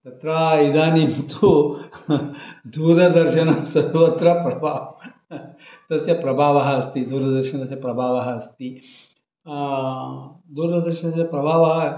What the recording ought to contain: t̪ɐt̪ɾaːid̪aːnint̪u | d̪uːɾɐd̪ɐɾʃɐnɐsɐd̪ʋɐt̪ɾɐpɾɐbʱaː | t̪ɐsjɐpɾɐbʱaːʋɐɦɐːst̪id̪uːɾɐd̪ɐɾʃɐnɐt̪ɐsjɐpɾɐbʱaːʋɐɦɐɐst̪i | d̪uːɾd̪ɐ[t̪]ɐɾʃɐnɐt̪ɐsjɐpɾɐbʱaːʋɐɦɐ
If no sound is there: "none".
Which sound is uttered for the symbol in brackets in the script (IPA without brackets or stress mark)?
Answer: d̪